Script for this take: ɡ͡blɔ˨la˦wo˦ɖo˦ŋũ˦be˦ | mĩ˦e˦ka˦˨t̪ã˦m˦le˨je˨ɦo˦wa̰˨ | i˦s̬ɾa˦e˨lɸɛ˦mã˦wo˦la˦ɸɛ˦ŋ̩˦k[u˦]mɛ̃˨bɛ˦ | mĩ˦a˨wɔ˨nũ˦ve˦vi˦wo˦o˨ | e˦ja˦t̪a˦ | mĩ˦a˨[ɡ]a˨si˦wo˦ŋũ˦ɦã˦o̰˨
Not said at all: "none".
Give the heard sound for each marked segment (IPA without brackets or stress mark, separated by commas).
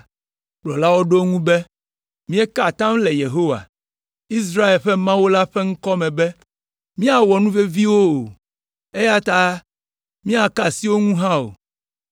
ɔ˦, k